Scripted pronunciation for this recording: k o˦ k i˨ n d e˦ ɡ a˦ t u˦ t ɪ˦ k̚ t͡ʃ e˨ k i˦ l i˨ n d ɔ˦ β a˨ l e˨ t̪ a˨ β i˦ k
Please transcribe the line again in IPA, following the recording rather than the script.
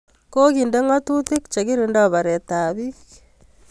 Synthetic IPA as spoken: k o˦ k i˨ n d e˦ ŋ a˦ t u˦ t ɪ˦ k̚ t͡ʃ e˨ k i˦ ɾ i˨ n d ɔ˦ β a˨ ɾ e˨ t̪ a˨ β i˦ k